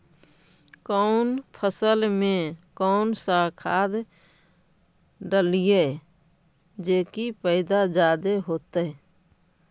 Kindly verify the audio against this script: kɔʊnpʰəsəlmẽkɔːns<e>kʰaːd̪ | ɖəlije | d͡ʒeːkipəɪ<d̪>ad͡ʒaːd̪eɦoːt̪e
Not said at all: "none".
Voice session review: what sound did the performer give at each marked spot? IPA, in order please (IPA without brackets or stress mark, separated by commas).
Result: a, d̪